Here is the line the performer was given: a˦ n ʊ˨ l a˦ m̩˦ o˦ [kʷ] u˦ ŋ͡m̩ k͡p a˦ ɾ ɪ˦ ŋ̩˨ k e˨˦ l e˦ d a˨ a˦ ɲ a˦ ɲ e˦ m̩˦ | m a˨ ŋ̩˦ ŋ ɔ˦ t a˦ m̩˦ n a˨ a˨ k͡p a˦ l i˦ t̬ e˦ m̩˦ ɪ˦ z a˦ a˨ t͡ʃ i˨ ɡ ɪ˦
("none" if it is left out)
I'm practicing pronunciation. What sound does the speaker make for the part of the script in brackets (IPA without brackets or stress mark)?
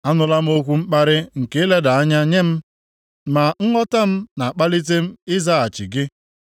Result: kʷ